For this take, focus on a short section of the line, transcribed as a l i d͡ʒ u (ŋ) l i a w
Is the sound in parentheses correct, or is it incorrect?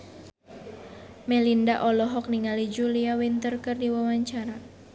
incorrect